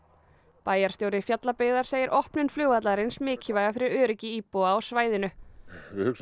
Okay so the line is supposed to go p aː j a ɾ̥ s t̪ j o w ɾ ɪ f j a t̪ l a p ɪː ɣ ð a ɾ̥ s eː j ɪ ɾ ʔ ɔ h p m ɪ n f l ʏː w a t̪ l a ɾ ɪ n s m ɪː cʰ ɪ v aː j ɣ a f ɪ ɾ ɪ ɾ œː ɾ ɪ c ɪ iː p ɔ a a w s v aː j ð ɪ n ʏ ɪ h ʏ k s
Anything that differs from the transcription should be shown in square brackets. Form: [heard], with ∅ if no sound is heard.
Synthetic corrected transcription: p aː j a ɾ̥ s t̪ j o w ɾ ɪ f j a t̪ l a p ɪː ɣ ð a ɾ̥ s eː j ɪ ɾ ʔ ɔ h p [n] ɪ n f l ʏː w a t̪ l a ɾ ɪ n s m ɪː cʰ ɪ v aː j ɣ a f ɪ ɾ ɪ ɾ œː ɾ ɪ c ɪ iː p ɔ a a w s v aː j ð ɪ n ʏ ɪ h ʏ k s